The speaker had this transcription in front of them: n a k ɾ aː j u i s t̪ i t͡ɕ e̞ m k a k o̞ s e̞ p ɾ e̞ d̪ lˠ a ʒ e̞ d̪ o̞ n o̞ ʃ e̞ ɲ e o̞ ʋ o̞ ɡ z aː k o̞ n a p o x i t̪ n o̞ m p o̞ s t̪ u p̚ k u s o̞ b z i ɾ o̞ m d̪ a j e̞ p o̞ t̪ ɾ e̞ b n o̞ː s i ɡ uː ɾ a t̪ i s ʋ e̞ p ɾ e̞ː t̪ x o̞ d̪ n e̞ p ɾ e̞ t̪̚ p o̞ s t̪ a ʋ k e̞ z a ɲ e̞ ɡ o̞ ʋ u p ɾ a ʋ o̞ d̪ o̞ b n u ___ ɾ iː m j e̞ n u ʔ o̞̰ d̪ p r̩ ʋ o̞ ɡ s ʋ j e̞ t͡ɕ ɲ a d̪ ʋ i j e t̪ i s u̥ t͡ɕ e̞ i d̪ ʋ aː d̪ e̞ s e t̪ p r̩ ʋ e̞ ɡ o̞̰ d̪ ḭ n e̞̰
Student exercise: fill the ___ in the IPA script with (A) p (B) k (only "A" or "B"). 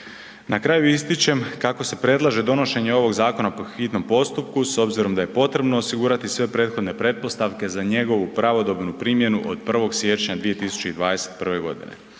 A